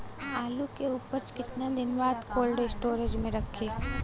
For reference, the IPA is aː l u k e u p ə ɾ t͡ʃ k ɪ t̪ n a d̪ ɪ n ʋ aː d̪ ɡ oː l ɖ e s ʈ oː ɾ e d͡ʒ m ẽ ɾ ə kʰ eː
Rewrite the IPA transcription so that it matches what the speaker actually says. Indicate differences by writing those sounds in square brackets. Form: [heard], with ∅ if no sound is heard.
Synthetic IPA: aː l u k e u p ə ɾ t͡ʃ k ɪ t̪ n a d̪ ɪ n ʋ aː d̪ [k] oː l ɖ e s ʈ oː ɾ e d͡ʒ m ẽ ɾ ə kʰ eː